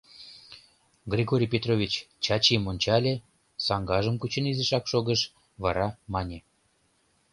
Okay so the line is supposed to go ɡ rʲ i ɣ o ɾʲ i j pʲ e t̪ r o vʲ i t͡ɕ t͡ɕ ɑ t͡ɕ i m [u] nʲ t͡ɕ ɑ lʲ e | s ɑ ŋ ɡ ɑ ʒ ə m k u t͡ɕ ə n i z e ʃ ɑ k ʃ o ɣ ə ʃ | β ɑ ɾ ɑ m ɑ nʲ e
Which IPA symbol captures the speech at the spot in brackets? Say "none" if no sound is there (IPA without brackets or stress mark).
o